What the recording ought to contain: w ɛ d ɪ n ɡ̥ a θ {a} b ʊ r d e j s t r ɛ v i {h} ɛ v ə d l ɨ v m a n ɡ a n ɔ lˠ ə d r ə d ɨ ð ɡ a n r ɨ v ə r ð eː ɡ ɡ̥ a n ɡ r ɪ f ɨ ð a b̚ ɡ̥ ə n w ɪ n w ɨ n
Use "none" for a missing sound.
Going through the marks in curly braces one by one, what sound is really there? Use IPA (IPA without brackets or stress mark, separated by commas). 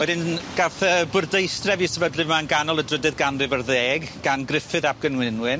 ə, s